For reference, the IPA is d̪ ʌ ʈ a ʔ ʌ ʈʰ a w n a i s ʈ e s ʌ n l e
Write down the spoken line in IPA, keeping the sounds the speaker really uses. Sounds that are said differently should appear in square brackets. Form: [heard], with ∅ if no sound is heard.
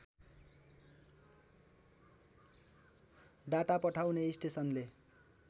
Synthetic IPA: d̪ [a] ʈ a [p] ʌ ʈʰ a w n [e] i s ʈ e s ʌ n l e